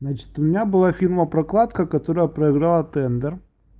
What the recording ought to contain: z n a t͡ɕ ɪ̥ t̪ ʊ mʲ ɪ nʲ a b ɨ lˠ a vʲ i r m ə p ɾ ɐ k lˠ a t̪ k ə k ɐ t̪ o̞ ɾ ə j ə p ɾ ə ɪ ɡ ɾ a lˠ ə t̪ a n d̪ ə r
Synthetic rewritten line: z n a t͡ɕ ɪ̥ t̪ ʊ mʲ ɪ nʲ a b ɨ lˠ a fʲ i r m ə p ɾ ɐ k lˠ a t̪ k ə k ɐ t̪ o̞ ɾ ə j ə p ɾ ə ɪ ɡ ɾ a lˠ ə t̪ ɛ n d̪ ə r